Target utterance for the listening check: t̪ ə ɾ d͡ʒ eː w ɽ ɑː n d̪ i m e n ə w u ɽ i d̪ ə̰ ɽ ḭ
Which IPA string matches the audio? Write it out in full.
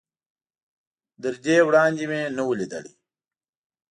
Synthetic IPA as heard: d̪ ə ɾ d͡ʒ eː w ɽ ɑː n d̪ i m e n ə w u l i d̪ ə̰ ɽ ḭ